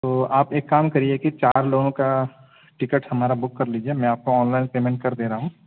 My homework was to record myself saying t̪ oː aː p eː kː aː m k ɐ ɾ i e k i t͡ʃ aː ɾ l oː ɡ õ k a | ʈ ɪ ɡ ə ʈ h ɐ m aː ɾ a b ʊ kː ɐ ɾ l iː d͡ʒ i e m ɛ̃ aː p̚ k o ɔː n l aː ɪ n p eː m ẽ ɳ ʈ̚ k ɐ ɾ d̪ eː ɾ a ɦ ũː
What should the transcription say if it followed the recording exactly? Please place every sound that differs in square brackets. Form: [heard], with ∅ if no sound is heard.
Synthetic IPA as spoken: t̪ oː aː p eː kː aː m k ɐ ɾ i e k i t͡ʃ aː ɾ l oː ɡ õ k a | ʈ ɪ [k] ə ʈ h ɐ m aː ɾ a b ʊ kː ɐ ɾ l iː d͡ʒ i e m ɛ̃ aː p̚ k o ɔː n l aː ɪ n p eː m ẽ ɳ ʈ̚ k ɐ ɾ d̪ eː ɾ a ɦ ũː